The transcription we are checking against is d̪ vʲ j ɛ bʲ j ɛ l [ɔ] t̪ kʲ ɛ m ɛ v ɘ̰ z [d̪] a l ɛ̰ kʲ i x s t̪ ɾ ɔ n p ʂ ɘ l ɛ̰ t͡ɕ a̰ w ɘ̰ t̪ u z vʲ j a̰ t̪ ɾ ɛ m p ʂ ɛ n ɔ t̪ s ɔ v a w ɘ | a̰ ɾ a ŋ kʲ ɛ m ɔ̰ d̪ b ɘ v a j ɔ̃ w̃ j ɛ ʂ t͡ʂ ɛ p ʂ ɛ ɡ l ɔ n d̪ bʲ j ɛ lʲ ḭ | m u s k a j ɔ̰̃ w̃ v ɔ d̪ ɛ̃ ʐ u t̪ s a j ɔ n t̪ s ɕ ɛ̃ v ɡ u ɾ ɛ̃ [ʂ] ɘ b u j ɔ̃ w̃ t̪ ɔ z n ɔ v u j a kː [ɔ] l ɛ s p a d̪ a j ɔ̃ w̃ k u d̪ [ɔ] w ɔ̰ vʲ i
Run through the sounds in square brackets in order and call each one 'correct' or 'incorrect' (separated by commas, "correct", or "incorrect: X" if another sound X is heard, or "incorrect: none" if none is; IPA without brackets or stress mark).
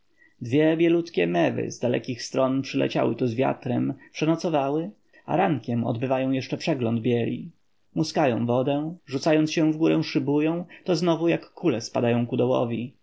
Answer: incorrect: u, correct, correct, incorrect: u, correct